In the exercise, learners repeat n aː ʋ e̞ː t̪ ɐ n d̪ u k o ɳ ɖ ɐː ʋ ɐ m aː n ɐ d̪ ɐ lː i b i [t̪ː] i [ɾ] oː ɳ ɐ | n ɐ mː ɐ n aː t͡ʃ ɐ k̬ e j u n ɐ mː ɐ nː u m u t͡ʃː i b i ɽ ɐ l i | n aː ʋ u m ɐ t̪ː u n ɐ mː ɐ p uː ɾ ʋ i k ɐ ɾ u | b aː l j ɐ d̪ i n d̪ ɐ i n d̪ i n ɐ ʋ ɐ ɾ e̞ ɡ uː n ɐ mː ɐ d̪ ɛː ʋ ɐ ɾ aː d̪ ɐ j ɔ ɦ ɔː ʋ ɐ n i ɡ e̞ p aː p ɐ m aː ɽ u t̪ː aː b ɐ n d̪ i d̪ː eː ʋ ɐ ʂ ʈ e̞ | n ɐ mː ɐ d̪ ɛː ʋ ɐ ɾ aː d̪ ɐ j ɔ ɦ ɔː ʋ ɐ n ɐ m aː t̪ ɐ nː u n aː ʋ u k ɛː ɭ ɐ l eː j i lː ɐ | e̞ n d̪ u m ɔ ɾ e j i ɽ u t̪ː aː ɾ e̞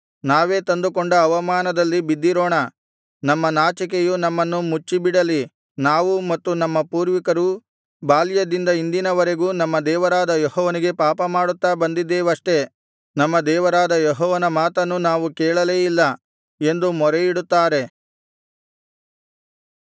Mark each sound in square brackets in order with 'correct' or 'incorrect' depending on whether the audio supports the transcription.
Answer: incorrect: d̪ː, correct

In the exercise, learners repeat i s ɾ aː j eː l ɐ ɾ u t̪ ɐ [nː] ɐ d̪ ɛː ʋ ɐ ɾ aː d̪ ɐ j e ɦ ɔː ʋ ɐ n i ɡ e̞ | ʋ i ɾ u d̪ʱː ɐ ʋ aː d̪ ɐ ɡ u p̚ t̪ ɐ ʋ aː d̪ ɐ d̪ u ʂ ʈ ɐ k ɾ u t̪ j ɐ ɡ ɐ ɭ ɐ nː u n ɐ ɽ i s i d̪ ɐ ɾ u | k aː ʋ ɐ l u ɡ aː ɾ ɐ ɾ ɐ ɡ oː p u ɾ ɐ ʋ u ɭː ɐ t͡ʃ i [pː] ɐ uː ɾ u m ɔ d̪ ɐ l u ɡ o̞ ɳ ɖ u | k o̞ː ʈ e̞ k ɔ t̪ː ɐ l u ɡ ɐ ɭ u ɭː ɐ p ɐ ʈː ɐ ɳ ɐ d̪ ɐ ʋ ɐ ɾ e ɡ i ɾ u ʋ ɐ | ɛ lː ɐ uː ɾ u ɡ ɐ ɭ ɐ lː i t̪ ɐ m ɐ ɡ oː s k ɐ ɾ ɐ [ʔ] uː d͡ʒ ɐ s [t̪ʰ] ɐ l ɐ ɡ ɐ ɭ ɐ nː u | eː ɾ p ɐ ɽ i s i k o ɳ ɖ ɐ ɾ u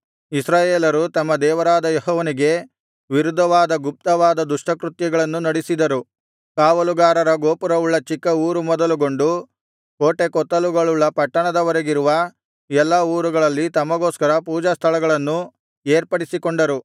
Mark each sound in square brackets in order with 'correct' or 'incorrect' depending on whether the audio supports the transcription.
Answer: incorrect: mː, incorrect: kː, incorrect: p, correct

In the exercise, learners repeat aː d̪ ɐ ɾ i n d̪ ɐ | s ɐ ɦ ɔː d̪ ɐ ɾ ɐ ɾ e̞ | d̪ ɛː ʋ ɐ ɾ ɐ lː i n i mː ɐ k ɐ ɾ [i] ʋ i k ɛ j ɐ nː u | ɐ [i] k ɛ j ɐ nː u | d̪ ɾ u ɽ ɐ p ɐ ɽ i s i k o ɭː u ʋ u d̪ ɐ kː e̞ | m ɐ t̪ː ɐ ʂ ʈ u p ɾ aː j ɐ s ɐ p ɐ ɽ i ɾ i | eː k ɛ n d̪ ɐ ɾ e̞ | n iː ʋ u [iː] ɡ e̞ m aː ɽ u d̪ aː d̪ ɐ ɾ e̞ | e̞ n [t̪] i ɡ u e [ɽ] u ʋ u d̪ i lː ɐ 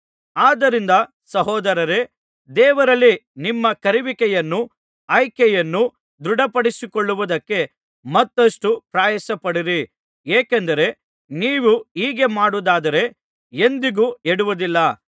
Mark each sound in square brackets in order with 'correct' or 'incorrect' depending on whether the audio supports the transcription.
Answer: correct, incorrect: j, correct, incorrect: d̪, correct

